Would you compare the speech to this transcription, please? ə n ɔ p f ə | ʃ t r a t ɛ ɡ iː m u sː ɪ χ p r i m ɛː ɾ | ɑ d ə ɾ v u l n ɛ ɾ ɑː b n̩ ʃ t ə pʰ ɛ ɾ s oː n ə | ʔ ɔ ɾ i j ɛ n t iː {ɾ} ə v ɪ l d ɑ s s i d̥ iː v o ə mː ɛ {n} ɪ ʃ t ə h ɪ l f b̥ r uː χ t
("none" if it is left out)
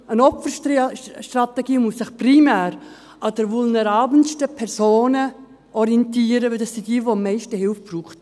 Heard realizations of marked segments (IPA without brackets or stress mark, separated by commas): ɾ, none